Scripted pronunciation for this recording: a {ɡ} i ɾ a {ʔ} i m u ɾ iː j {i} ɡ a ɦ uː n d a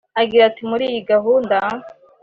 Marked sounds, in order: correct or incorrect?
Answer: correct, incorrect: t, correct

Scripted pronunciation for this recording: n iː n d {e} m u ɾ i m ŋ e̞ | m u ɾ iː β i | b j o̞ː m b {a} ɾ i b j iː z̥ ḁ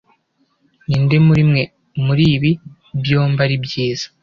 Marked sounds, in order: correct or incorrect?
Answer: correct, correct

